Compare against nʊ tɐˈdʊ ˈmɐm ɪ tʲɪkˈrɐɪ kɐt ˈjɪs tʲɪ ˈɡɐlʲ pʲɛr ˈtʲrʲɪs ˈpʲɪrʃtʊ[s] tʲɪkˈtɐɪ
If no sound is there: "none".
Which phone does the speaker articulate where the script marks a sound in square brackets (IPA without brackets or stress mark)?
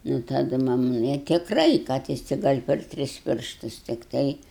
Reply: s